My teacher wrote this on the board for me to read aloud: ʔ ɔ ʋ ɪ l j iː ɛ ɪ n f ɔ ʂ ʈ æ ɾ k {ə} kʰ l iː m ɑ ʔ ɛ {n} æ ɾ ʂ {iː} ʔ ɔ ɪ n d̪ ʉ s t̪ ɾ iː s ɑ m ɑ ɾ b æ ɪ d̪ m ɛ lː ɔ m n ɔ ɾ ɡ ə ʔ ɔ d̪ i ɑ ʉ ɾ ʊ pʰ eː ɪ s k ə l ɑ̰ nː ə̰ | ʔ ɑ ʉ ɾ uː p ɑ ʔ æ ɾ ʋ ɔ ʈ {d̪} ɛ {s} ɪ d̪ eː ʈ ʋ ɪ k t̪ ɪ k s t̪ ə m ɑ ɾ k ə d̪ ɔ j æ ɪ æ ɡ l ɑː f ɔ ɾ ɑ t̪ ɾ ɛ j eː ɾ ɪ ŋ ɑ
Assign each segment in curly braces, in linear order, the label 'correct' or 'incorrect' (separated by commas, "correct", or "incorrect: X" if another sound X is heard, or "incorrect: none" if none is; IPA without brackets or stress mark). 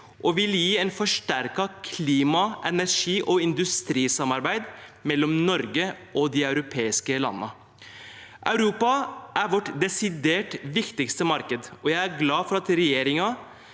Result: incorrect: ɑ, correct, correct, correct, correct